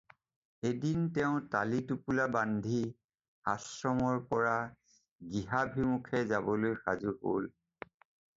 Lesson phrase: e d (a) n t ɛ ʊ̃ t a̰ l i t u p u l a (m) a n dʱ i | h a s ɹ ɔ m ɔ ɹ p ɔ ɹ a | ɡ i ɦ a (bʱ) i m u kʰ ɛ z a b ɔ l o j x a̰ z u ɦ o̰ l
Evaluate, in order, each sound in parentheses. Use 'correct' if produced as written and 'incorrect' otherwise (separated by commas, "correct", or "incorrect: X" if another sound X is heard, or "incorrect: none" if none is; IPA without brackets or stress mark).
incorrect: i, incorrect: b, correct